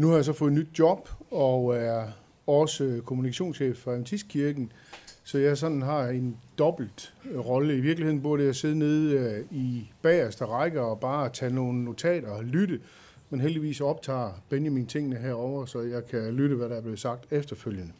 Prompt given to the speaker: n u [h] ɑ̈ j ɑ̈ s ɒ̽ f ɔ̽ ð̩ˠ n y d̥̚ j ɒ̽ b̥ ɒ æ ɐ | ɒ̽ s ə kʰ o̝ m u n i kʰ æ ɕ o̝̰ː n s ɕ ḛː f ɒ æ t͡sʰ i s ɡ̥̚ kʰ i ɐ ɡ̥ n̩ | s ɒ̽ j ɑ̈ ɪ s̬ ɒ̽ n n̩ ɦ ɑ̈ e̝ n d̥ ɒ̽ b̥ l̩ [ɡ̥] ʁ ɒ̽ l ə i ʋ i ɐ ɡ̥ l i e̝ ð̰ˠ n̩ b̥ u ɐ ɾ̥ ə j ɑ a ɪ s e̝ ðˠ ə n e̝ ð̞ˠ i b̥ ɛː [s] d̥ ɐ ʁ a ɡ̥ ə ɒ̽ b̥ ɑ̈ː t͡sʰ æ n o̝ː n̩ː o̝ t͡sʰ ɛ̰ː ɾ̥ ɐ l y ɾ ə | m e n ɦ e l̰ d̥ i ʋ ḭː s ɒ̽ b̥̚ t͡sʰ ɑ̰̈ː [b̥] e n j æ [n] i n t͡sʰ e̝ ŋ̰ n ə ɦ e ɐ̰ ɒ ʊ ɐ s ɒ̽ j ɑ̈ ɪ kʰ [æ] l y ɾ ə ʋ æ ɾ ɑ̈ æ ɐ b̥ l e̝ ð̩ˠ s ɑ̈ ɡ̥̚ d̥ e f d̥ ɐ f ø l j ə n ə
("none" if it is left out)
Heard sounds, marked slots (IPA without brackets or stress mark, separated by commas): h, d̥, s, b̥, m, æ